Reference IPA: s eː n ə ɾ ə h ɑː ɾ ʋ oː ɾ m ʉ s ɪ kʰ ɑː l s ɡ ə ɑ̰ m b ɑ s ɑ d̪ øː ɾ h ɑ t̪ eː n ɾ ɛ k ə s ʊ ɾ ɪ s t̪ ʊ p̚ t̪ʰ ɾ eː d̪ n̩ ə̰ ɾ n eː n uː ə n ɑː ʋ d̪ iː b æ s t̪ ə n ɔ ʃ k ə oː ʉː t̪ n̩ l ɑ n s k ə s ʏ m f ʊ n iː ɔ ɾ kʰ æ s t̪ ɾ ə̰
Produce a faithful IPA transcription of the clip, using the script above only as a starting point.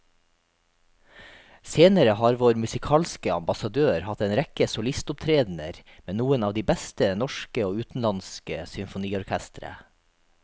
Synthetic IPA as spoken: s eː n ə ɾ ə h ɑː ɾ ʋ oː ɾ m ʉ s ɪ kʰ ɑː l s k ə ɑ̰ m b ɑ s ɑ d̪ øː ɾ h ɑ t̪ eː n ɾ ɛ k ə s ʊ l ɪ s t̪ ʊ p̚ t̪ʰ ɾ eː d̪ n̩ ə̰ ɾ m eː n uː ə n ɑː ʋ d̪ iː b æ s t̪ ə n ɔ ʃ k ə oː ʉː t̪ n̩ l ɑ n s k ə s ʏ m f ʊ n iː ɔ ɾ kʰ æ s t̪ ɾ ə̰